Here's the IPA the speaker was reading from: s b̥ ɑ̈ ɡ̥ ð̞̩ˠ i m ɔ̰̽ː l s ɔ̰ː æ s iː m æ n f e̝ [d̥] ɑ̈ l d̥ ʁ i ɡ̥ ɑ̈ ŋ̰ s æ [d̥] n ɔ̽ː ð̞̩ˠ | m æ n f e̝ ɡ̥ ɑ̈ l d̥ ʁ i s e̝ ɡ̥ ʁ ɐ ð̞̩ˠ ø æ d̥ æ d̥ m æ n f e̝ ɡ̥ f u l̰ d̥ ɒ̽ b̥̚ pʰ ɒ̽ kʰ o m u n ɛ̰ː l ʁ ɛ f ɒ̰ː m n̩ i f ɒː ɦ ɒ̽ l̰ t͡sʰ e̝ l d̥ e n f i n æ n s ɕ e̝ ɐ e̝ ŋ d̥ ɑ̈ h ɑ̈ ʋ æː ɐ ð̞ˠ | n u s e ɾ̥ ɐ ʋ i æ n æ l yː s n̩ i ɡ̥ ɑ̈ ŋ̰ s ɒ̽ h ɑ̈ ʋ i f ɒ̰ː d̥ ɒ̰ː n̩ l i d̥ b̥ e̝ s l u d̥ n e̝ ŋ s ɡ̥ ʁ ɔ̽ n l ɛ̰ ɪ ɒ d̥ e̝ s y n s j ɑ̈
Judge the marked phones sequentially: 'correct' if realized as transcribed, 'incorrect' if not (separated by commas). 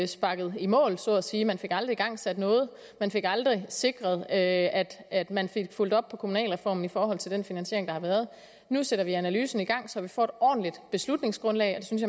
incorrect, correct